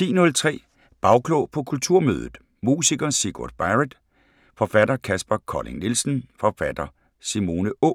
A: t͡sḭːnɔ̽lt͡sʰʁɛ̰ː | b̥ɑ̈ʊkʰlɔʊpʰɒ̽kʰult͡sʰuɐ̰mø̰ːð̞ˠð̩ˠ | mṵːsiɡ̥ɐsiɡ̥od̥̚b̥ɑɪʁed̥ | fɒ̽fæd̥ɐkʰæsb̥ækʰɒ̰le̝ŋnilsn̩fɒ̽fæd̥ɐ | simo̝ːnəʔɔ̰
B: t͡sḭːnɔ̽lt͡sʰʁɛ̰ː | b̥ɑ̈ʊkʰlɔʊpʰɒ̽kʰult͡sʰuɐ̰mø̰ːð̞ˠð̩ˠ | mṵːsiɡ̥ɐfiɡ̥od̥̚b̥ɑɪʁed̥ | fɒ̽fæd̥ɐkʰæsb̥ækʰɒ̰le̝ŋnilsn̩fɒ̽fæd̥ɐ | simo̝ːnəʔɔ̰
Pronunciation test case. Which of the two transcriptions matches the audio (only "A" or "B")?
A